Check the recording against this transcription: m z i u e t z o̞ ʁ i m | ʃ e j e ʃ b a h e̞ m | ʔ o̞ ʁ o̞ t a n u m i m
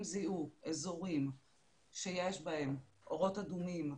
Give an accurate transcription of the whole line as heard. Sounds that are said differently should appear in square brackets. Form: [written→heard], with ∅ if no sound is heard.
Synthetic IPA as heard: m z i u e [t→∅] z o̞ ʁ i m | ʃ e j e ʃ b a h e̞ m | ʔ o̞ ʁ o̞ t a [n→d] u m i m